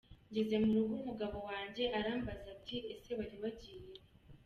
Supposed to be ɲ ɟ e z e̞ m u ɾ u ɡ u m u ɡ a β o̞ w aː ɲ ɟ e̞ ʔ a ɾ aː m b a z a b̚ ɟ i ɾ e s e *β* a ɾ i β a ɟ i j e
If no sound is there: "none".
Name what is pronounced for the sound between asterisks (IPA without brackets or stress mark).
β